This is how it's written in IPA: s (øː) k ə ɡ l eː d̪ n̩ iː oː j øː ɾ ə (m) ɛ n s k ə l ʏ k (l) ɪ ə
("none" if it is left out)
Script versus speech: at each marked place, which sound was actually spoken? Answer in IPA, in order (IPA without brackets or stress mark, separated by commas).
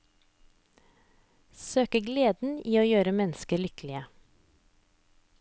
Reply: øː, m, l